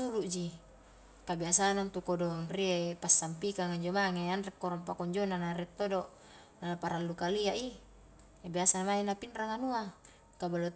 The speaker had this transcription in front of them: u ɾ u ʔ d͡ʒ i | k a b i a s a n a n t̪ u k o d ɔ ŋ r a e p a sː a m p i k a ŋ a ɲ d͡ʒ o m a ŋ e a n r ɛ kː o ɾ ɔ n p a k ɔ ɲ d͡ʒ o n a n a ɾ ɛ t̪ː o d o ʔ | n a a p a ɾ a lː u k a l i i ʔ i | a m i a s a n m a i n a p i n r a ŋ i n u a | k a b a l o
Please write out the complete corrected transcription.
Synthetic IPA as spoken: u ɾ u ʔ d͡ʒ i | k a b i a s a n a n t̪ u k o d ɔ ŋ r i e p a sː a m p i k a ŋ a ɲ d͡ʒ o m a ŋ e a n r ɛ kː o ɾ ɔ m p a k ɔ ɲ d͡ʒ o n a n a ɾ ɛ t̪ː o d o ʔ | n a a p a ɾ a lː u k a l i a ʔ i | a b i a s a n m a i n a p i n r a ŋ a n u a | k a b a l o